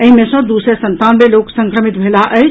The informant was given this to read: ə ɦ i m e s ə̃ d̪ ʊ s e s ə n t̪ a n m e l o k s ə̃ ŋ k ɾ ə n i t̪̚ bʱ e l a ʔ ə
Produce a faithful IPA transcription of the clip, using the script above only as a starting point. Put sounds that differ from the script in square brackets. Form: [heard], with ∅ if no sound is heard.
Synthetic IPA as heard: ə ɦ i m e s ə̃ d̪ [u] s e s ə n t̪ a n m e l o k s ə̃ ŋ k ɾ ə [m] i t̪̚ bʱ e l a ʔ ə

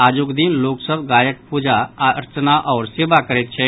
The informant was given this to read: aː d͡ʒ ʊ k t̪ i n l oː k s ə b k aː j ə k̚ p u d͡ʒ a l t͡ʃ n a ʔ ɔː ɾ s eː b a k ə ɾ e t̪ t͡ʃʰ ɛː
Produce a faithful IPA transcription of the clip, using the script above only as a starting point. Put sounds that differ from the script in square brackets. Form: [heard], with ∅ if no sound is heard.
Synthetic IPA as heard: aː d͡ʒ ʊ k [d̪] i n l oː k s ə b [ɡ] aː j ə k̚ p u d͡ʒ a [ɾ] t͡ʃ n a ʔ ɔː ɾ s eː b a k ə ɾ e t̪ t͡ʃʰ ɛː

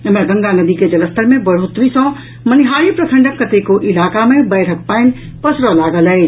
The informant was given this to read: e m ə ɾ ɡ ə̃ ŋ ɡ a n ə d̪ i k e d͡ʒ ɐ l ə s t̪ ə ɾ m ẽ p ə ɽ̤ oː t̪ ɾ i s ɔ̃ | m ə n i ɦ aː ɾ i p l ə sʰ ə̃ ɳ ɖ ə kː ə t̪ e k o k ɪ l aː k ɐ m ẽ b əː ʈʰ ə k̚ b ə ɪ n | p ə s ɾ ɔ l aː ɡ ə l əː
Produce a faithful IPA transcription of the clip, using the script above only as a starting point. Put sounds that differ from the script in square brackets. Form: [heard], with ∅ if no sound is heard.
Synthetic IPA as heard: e m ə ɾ ɡ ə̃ ŋ ɡ a n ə d̪ i k e d͡ʒ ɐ l ə s t̪ ə ɾ m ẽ [b] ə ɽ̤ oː t̪ ɾ i s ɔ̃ | m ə n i ɦ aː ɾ i p [ɾ] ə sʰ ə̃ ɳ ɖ ə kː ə t̪ e k o [ʔ] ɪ l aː k [a] m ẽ b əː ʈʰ ə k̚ [p] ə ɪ n | p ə s ɾ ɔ l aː ɡ ə l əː

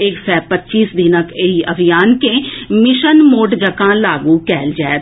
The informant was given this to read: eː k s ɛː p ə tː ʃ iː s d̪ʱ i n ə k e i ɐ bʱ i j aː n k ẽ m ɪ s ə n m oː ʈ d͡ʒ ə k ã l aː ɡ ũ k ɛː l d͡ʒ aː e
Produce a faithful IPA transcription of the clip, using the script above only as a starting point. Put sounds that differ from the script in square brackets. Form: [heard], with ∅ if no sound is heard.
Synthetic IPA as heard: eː k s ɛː p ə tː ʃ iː s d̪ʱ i n ə k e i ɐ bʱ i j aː n k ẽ m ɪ [ʃ] ə n m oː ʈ d͡ʒ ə k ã l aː ɡ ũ k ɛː l d͡ʒ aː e

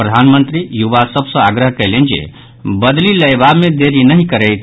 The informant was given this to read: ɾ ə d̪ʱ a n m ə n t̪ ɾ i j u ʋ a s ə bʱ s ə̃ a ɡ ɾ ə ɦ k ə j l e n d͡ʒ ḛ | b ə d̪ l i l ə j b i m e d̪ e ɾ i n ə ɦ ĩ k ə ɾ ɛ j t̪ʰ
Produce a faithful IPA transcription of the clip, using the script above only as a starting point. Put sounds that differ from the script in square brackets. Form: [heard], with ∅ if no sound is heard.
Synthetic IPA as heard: ɾ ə d̪ʱ a n m ə n t̪ ɾ i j u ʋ a s ə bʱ s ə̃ a ɡ ɾ ə ɦ k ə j l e n d͡ʒ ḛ | b ə d̪ l i l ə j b [a] m e d̪ e ɾ i n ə ɦ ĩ k ə ɾ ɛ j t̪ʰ

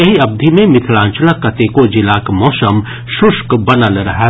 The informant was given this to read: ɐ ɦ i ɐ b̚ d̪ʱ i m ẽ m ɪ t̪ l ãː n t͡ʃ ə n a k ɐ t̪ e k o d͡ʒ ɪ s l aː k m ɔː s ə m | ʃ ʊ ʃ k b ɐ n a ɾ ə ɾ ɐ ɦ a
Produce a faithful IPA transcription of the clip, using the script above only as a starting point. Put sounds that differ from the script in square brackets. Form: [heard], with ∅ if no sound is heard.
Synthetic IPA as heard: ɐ ɦ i ɐ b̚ d̪ʱ i m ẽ m ɪ [t̪ʰ] l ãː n t͡ʃ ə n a k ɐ t̪ e k o d͡ʒ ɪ [∅] l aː k m ɔː s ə m | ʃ ʊ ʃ k b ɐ n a [l] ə ɾ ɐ ɦ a

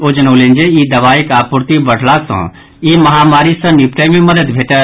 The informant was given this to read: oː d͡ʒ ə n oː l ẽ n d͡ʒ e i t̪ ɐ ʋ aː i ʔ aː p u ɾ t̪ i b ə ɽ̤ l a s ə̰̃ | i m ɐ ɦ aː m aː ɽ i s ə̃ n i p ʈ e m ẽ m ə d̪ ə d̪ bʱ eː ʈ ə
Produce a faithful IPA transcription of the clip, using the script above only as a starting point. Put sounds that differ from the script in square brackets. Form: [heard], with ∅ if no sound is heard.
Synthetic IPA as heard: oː d͡ʒ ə n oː l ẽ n d͡ʒ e i [d̪] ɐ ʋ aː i [k] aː p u ɾ t̪ i b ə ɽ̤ l a s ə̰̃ | i m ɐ ɦ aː m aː [ɾ] i s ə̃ n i p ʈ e m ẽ m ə d̪ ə d̪ bʱ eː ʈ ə

